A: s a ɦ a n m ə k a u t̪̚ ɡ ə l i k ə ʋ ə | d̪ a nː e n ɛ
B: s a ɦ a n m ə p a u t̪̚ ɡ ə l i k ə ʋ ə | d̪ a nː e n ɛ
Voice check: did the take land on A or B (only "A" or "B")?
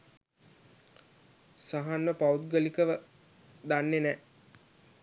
B